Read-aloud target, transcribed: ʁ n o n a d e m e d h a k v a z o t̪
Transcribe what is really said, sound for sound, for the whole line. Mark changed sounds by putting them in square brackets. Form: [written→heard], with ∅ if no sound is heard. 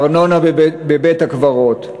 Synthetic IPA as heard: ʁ n o n a [d→b] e [m→b] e [d→t] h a k v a [z→ʁ] o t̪